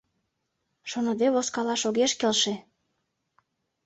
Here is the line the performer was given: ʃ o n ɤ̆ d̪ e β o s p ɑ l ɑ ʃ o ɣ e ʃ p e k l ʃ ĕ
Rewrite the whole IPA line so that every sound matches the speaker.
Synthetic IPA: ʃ o n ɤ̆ d̪ e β o s k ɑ l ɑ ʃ o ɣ e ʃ k e l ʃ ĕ